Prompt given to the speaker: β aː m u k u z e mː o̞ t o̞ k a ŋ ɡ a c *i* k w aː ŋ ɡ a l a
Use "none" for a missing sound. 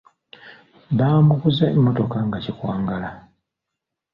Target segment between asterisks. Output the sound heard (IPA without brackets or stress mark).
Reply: i